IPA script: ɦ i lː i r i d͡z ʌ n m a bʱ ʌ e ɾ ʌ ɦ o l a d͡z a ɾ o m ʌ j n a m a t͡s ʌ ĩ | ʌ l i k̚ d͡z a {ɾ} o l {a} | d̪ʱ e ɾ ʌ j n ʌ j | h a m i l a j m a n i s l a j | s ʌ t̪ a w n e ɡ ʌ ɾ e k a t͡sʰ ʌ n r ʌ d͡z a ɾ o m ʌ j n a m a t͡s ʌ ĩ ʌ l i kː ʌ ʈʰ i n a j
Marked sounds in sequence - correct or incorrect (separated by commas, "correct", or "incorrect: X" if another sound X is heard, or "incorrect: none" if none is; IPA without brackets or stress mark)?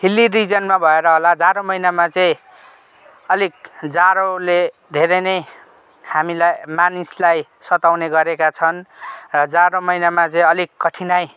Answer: correct, incorrect: e